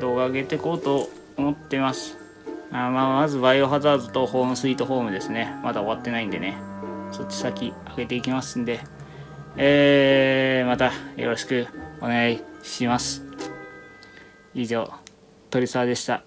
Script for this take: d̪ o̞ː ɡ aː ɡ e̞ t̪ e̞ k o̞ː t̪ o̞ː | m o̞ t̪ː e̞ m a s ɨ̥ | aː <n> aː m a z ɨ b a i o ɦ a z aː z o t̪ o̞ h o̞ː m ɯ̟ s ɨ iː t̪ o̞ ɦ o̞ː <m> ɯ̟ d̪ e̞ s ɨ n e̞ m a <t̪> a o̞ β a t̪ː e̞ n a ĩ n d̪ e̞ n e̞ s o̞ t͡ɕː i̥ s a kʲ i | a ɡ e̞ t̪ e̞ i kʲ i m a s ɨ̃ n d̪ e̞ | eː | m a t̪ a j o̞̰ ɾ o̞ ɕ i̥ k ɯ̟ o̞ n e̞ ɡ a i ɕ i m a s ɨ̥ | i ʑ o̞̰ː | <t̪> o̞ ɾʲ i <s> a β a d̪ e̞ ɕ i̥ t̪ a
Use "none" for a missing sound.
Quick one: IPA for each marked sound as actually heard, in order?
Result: m, m, d̪, t̪, s

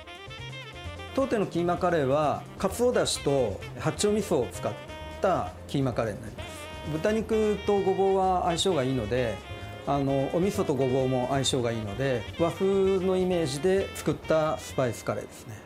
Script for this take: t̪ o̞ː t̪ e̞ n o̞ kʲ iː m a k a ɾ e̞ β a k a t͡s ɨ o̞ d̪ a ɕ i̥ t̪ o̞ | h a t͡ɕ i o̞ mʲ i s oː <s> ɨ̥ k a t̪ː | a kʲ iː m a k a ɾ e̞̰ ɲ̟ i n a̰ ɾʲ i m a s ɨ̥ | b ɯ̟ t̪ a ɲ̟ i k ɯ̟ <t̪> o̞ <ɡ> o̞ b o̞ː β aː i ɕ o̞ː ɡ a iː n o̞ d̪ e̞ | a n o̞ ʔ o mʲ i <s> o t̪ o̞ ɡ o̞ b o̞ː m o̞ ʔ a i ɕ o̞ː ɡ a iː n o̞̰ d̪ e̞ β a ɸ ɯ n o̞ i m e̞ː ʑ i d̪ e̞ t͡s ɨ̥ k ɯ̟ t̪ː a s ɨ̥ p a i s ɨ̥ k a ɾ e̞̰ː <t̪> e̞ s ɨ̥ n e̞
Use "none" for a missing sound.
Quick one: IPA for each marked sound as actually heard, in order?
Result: t͡s, t̪, ɡ, s, d̪

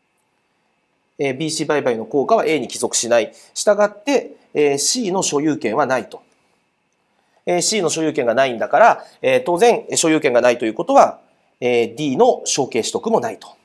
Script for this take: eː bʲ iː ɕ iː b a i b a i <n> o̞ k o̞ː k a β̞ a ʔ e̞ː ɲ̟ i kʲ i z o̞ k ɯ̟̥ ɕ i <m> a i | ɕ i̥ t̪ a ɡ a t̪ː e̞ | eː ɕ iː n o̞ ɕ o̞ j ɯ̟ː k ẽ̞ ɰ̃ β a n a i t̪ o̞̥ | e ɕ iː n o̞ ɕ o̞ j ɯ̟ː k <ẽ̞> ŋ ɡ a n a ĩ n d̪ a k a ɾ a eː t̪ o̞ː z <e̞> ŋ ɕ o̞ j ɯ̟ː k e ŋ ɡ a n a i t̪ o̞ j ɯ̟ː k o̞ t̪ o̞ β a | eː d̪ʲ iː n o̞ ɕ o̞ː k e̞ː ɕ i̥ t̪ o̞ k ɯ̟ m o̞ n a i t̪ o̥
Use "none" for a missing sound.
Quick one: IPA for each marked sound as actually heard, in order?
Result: n, n, ẽ̞, ẽ̞

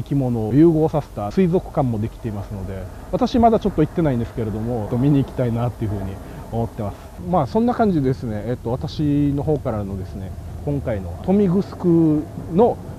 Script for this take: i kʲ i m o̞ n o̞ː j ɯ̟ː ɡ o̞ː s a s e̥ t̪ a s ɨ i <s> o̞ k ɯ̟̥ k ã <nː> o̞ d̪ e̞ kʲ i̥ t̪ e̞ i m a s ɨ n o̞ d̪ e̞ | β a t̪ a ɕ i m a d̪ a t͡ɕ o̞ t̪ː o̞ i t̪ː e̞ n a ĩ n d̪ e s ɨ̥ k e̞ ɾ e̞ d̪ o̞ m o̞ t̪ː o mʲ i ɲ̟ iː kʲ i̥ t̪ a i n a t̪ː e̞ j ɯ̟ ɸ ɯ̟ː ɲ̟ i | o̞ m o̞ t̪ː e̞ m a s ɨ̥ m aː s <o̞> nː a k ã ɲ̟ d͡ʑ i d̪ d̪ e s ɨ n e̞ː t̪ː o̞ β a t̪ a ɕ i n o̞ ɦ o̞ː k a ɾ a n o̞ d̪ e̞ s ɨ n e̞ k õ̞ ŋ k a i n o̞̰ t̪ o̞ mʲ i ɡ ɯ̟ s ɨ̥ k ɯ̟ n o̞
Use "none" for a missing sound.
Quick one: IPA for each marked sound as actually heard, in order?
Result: z, mː, õ̞

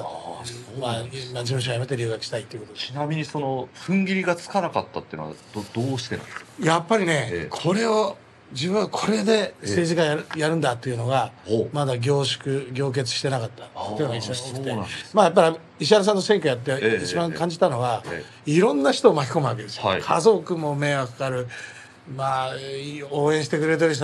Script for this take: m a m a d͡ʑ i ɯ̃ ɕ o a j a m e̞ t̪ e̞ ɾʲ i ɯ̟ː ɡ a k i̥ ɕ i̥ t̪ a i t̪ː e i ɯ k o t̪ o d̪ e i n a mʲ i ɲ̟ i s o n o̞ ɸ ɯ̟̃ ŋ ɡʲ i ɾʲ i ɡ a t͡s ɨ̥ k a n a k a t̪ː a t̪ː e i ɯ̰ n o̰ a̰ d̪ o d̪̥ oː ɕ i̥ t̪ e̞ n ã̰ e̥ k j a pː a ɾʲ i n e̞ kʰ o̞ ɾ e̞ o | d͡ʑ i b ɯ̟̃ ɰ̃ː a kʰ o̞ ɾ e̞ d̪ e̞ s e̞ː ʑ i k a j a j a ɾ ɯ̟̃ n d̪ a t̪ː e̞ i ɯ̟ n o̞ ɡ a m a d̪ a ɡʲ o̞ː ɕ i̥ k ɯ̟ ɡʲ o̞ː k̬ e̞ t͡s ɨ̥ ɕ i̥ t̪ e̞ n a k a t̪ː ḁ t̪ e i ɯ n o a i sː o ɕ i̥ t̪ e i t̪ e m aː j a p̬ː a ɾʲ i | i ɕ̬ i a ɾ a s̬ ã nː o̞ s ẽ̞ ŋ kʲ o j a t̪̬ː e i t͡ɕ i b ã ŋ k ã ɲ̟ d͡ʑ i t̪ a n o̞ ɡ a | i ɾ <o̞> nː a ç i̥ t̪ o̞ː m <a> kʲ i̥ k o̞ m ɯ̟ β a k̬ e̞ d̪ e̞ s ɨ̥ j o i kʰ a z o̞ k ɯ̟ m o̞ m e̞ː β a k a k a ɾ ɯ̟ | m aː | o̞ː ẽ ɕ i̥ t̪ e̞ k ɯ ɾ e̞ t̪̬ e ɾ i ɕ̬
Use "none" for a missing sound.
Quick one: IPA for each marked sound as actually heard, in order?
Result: õ̞, a

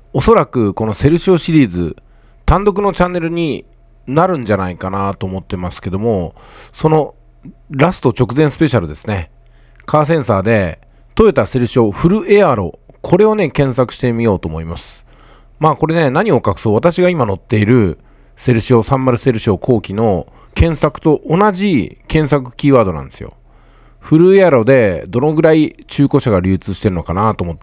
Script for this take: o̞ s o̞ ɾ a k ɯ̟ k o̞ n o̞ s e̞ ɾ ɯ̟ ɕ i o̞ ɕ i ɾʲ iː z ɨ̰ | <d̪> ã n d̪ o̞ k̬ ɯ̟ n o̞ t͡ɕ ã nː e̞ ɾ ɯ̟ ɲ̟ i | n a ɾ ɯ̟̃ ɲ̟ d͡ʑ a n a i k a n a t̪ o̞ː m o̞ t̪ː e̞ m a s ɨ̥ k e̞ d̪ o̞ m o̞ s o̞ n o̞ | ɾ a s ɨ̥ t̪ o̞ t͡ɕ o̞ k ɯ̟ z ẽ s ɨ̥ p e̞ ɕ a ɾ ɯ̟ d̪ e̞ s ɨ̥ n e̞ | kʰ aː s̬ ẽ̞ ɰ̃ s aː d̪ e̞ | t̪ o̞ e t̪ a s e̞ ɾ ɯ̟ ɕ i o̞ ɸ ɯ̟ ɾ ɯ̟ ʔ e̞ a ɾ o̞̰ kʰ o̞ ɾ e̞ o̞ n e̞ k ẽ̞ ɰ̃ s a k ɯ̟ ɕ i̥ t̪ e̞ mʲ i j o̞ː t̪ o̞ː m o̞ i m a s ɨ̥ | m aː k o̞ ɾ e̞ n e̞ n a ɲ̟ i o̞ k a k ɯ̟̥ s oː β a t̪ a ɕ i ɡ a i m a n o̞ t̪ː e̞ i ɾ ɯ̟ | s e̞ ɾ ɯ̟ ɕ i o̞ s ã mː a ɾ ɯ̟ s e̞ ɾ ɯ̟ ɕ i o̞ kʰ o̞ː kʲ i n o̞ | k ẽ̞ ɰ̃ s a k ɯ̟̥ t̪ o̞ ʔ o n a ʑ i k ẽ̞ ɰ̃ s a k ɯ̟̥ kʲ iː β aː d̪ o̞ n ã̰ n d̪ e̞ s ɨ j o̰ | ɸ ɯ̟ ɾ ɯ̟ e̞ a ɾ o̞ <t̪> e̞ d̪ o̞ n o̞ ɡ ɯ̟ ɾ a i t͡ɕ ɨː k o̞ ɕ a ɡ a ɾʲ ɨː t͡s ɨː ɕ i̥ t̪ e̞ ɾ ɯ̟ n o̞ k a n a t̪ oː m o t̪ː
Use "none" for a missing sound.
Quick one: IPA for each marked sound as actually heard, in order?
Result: t̪, d̪

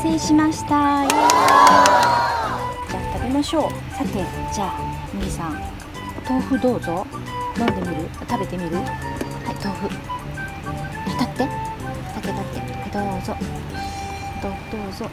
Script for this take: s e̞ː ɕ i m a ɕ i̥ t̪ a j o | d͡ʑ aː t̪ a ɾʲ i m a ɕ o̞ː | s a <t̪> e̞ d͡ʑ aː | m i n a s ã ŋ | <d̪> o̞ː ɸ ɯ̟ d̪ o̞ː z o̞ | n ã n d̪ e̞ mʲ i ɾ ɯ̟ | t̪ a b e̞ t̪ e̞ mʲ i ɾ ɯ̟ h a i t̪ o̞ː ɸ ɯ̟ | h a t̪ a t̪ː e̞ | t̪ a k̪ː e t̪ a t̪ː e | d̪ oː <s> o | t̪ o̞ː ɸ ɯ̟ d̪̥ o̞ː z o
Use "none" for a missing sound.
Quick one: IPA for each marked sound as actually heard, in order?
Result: t̪, t̪, z

